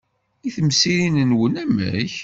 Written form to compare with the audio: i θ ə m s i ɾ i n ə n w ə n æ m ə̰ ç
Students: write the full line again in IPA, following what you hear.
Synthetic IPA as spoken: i θ ə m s i ɾ i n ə n w ə n æ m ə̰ ç

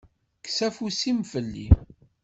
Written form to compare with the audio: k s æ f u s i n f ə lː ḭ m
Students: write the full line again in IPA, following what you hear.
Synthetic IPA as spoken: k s æ f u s i m f ə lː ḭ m

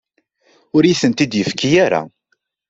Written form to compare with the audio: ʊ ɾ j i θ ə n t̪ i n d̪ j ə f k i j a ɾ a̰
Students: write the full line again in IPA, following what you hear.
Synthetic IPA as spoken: ʊ ɾ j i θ ə n t̪ i d̪ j ə f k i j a ɾ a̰

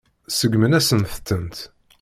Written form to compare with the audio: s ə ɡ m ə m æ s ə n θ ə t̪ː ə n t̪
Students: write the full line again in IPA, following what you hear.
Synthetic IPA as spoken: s ə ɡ m ə n æ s ə n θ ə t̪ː ə n t̪

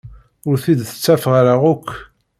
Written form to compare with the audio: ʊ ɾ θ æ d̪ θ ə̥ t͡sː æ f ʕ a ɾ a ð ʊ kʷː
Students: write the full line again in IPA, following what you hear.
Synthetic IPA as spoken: ʊ ɾ θ i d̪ θ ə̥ t͡sː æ f ʁ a ɾ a ʁ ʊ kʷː

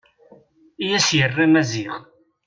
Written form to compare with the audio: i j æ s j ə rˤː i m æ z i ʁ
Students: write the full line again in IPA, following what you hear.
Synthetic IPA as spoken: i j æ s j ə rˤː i m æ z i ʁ

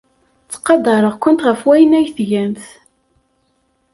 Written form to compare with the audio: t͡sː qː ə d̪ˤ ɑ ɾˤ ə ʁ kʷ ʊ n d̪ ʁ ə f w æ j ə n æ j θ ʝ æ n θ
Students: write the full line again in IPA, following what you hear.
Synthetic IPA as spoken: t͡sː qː ɑ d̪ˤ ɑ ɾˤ ə ʁ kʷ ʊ n t̪ ʁ ə f w æ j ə n æ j θ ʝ æ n θ

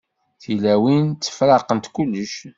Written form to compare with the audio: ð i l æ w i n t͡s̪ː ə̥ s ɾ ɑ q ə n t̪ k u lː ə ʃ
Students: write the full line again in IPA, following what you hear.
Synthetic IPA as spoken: θ i l æ w i n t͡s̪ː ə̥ f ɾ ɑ q ə n t̪ k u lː ə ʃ

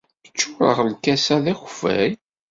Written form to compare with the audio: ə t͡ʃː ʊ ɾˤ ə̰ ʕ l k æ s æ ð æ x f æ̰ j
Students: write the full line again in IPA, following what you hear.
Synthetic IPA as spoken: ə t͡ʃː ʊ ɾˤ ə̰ ʁ l k æ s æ ð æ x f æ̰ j

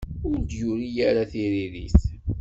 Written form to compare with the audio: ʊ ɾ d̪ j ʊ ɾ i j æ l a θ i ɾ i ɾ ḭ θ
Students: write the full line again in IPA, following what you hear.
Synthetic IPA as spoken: ʊ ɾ d̪ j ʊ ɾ i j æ ɾ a θ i ɾ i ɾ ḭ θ

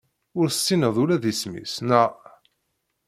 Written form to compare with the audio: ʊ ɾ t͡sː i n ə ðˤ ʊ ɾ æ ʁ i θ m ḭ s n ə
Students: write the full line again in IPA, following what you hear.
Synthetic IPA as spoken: ʊ ɾ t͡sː i n ə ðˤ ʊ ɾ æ ð i s m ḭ s n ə

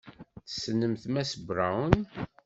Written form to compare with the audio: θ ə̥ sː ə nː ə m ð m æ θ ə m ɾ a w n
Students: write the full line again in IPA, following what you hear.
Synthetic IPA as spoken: θ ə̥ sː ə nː ə m θ m æ s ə b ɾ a w n

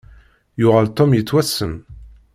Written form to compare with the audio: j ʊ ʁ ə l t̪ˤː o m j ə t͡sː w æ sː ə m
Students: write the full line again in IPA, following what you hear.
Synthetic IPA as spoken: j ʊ ʁ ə l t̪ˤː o m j ə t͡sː w æ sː ə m

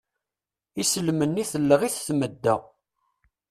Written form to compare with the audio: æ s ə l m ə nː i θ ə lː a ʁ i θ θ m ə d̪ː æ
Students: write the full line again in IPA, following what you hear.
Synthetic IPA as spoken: i s ə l m ə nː i θ ə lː ə ʁ i θ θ m ə d̪ː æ

